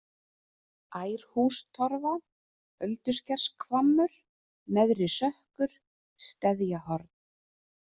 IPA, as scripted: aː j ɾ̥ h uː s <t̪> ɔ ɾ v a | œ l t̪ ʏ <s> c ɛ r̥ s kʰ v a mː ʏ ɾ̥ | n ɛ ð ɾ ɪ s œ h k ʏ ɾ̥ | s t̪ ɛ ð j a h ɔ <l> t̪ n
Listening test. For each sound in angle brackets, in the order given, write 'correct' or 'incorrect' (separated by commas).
incorrect, correct, incorrect